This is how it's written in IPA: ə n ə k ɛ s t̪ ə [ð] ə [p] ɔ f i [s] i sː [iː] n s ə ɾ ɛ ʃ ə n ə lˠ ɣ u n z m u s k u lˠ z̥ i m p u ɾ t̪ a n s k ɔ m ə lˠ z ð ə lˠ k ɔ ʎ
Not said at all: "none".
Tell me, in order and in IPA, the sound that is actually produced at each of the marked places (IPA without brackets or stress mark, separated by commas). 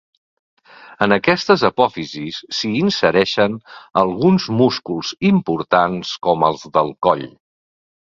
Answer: z, p, z, iː